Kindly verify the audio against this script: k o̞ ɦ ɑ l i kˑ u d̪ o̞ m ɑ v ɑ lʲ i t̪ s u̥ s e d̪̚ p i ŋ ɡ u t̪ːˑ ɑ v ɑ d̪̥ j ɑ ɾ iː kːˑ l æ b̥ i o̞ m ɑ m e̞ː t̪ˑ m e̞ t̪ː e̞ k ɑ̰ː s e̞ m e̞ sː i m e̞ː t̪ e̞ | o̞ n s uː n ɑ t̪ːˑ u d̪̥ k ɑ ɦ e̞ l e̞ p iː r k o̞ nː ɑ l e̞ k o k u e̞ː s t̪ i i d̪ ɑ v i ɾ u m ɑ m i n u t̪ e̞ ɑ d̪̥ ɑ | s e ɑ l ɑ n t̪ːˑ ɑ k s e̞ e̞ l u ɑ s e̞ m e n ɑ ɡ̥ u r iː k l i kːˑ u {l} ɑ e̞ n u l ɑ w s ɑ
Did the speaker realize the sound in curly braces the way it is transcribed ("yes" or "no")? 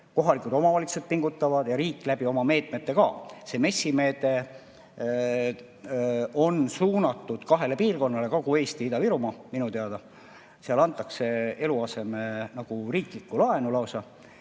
yes